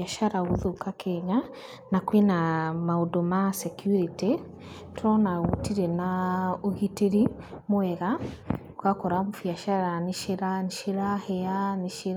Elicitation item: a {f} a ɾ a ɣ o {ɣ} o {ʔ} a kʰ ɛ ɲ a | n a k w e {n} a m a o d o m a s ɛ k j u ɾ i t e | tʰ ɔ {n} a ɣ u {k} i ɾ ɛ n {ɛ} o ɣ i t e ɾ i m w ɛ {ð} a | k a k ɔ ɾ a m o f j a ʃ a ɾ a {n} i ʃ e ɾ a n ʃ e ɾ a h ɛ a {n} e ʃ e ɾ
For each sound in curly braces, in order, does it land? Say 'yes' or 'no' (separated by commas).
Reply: no, no, no, yes, yes, no, no, no, yes, yes